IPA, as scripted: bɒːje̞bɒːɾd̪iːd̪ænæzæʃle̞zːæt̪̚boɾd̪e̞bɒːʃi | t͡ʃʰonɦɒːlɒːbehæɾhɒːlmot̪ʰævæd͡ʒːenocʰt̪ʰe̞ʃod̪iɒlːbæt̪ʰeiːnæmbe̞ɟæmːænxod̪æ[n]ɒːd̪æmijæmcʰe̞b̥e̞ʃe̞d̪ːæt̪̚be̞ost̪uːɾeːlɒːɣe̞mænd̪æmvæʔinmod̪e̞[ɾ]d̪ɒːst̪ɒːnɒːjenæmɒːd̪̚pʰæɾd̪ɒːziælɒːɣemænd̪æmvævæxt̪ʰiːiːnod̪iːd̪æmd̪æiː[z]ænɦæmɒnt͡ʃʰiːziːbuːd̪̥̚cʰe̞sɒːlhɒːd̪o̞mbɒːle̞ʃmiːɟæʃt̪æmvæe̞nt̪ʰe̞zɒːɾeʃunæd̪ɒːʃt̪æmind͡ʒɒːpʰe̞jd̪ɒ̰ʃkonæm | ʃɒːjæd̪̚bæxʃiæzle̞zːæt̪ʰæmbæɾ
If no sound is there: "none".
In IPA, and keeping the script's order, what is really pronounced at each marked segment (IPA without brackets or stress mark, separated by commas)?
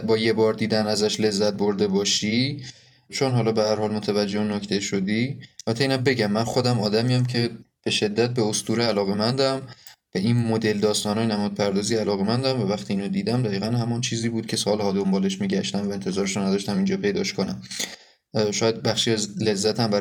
m, l, ɣ